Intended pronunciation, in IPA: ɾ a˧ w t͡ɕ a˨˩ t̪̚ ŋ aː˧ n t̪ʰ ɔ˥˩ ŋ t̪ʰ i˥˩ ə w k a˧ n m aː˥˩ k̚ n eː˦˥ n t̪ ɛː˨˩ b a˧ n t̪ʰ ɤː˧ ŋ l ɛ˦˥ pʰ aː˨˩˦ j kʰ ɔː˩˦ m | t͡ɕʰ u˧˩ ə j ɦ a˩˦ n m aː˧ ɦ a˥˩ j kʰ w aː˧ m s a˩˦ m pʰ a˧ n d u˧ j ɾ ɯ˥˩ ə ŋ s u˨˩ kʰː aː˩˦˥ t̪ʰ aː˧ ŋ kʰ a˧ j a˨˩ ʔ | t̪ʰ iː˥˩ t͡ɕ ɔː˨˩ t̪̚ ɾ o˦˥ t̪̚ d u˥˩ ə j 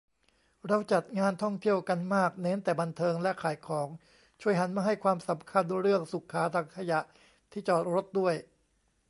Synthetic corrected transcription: ɾ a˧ w t͡ɕ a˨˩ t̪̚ ŋ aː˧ n t̪ʰ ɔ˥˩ ŋ t̪ʰ i˥˩ ə w k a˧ n m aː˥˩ k̚ n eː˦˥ n t̪ ɛː˨˩ b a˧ n t̪ʰ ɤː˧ ŋ l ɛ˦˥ kʰ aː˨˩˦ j kʰ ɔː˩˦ ŋ | t͡ɕʰ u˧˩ ə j ɦ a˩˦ n m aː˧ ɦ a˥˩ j kʰ w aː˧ m s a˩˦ m kʰ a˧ n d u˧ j ɾ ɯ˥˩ ə ŋ s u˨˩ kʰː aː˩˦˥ t̪ʰ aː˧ ŋ kʰ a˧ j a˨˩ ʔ | t̪ʰ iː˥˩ t͡ɕ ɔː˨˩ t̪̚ ɾ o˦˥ t̪̚ d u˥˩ ə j

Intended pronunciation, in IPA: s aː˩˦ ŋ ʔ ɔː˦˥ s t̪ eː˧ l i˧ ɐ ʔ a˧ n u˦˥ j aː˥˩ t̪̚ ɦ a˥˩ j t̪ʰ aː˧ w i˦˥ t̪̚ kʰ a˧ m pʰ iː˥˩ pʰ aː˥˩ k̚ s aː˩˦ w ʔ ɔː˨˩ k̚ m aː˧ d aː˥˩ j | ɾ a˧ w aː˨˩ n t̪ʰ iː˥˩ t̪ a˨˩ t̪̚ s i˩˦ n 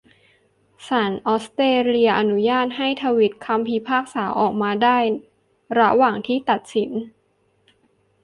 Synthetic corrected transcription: s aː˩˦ n ʔ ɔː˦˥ s t̪ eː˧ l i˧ ɐ ʔ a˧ n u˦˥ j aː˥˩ t̪̚ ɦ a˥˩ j t̪ʰ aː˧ w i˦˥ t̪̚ kʰ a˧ m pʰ iː˧ pʰ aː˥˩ k̚ s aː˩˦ w ʔ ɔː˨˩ k̚ m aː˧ d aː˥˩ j | ɾ a˦˥ w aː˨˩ ŋ t̪ʰ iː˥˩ t̪ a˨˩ t̪̚ s i˩˦ n

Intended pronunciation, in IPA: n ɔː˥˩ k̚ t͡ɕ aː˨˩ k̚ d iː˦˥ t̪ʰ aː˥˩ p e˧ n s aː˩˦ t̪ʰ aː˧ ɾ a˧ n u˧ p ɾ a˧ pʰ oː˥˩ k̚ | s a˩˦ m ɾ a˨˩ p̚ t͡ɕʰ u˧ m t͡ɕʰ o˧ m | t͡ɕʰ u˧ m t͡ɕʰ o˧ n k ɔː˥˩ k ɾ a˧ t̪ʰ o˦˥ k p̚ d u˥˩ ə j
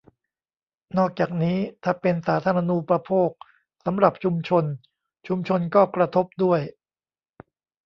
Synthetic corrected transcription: n ɔː˥˩ k̚ t͡ɕ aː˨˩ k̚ n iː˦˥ t̪ʰ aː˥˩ p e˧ n s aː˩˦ t̪ʰ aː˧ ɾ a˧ n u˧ p ɾ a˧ pʰ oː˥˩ k̚ | s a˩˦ m ɾ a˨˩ p̚ t͡ɕʰ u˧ m t͡ɕʰ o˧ n | t͡ɕʰ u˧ m t͡ɕʰ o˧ n k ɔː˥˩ k ɾ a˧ t̪ʰ o˦˥ p̚ d u˥˩ ə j

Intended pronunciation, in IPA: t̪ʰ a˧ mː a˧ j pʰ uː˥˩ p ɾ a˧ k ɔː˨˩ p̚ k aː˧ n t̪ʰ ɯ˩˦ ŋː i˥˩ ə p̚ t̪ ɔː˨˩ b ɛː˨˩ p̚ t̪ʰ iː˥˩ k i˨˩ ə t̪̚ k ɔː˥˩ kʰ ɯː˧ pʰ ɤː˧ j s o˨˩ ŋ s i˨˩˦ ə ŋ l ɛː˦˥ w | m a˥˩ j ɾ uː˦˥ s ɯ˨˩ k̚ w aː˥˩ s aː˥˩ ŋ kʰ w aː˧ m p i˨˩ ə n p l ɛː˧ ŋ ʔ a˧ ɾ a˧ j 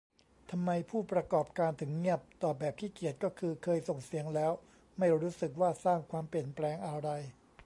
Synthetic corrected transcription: t̪ʰ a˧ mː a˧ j pʰ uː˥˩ p ɾ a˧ k ɔː˨˩ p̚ k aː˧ n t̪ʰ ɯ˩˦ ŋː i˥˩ ə p̚ t̪ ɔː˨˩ b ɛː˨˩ p̚ t̪ʰ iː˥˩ k i˨˩ ə t̪̚ k ɔː˥˩ kʰ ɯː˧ kʰ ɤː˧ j s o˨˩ ŋ s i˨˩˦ ə ŋ l ɛː˦˥ w | m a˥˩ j ɾ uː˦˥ s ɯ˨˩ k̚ w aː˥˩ s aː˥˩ ŋ kʰ w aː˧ m p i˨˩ ə n p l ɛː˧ ŋ ʔ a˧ ɾ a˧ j

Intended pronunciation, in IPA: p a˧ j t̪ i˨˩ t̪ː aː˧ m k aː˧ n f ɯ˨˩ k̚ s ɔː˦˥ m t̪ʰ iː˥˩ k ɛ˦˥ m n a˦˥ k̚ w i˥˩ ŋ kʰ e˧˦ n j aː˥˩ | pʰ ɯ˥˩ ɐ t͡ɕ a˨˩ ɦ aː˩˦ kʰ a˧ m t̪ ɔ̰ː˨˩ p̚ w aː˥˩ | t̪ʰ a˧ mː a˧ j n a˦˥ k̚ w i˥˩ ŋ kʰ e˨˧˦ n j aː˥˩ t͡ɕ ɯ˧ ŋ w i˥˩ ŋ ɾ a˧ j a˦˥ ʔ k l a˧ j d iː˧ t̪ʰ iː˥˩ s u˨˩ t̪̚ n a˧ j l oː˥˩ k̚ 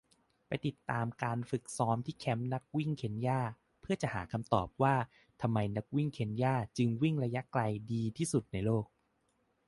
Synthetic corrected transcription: p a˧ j t̪ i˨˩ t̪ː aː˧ m k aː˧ n f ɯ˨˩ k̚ s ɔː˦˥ m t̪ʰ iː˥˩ kʰ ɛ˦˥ m n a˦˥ k̚ w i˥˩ ŋ kʰ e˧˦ n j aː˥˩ | pʰ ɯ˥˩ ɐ t͡ɕ a˨˩ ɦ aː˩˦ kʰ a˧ m t̪ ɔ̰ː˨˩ p̚ w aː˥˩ | t̪ʰ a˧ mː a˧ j n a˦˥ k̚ w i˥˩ ŋ kʰ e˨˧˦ n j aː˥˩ t͡ɕ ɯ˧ ŋ w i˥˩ ŋ ɾ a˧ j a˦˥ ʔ k l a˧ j d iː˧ t̪ʰ iː˥˩ s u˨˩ t̪̚ n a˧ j l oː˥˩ k̚

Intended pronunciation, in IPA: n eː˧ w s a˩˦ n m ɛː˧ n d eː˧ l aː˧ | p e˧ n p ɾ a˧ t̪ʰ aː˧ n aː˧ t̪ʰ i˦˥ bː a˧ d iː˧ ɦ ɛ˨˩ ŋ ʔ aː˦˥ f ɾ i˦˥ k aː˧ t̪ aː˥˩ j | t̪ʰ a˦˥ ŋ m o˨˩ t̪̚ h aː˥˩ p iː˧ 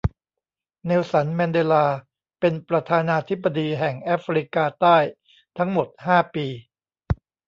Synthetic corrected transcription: n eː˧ w s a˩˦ n m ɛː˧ n d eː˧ l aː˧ | p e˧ n p ɾ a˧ t̪ʰ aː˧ n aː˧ t̪ʰ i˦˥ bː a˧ d iː˧ ɦ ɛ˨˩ ŋ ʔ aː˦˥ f ɾ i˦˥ k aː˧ t̪ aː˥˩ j | t̪ʰ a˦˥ ŋ m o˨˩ t̪̚ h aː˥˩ p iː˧

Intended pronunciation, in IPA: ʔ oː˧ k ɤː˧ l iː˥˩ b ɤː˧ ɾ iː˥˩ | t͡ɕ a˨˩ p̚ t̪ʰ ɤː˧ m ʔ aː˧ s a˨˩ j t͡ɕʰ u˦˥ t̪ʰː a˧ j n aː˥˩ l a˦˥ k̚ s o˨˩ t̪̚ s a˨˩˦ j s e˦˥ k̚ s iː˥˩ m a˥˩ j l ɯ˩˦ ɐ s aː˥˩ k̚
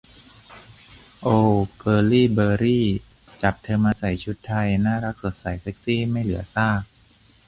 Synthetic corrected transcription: ʔ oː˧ k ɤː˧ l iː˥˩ b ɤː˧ ɾ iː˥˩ | t͡ɕ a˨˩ p̚ t̪ʰ ɤː˧ m ʔ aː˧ s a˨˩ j t͡ɕʰ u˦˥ t̪ʰː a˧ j n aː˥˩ ɾ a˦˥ k̚ s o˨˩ t̪̚ s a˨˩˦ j s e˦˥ k̚ s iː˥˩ m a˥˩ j l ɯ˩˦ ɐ s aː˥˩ k̚

